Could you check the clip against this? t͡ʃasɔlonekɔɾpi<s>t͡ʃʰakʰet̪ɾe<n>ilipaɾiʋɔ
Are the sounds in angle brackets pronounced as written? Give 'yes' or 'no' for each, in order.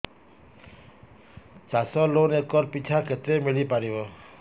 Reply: no, no

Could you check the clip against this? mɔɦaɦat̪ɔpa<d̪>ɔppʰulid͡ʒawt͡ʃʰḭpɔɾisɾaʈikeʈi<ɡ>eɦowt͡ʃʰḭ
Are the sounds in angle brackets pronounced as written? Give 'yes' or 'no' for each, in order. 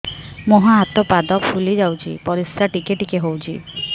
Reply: yes, no

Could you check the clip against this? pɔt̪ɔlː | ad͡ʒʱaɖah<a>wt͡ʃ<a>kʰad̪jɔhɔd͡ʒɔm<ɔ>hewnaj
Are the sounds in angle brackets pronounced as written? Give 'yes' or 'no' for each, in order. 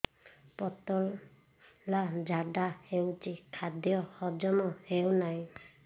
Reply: no, no, yes

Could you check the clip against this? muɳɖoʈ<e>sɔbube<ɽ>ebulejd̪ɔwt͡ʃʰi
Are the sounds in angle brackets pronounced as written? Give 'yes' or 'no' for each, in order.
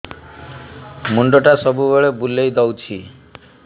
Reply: no, no

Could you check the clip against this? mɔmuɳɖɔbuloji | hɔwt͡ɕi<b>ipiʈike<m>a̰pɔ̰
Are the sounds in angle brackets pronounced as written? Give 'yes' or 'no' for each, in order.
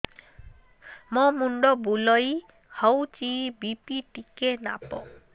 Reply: yes, no

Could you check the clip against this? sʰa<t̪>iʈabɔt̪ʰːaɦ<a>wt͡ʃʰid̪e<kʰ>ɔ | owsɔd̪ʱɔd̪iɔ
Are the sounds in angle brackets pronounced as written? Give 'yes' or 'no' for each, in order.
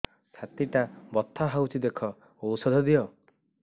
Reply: yes, yes, yes

